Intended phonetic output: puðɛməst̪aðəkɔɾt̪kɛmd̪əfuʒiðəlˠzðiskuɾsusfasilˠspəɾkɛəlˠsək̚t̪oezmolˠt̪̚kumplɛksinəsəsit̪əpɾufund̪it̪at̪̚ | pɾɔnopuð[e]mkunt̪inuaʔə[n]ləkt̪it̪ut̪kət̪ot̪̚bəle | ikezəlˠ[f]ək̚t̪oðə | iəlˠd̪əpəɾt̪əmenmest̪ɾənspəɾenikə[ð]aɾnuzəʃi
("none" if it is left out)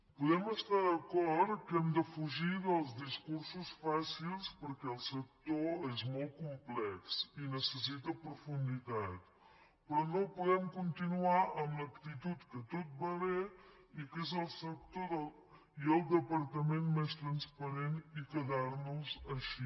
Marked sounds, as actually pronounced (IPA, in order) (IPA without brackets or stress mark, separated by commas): ɛ, m, s, ð